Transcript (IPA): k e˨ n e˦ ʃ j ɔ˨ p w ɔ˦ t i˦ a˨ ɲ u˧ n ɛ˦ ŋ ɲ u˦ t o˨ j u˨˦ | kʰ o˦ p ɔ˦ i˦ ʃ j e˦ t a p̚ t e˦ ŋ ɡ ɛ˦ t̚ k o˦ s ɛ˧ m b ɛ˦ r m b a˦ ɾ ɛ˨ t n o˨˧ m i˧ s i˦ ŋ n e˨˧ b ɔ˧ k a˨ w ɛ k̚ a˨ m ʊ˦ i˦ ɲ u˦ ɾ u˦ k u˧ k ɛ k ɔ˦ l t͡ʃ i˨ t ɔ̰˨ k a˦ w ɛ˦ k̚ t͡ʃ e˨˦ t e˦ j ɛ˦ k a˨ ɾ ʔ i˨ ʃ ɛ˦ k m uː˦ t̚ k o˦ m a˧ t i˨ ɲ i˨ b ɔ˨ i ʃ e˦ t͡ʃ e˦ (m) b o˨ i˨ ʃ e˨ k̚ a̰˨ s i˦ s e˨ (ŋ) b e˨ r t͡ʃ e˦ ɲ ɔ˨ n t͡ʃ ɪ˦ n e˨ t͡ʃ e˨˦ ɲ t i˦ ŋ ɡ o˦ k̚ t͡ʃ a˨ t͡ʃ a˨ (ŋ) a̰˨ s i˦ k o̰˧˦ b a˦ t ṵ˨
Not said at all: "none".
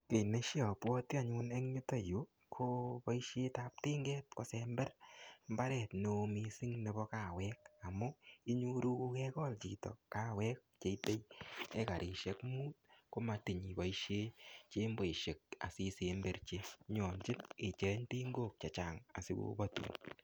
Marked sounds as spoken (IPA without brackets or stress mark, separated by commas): m, m, ŋ